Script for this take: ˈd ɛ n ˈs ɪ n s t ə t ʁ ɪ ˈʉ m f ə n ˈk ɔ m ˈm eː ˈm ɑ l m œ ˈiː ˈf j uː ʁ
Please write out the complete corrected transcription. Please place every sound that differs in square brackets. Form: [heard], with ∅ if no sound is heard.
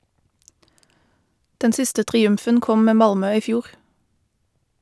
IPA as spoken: ˈd ɛ n ˈs ɪ [∅] s t ə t ʁ ɪ ˈʉ m f ə n ˈk ɔ m ˈm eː ˈm ɑ l m œ ˈiː ˈf j uː ʁ

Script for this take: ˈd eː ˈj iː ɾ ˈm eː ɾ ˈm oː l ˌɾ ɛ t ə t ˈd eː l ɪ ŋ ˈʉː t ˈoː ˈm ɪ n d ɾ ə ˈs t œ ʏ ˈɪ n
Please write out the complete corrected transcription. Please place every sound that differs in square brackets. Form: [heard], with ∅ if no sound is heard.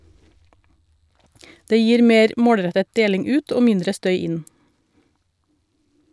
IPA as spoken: ˈd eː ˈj iː ɾ ˈm eː ɾ ˈm oː [ɽ] ˌɾ ɛ t ə t ˈd eː l ɪ ŋ ˈʉː t ˈoː ˈm ɪ n d ɾ ə ˈs t œ ʏ ˈɪ n

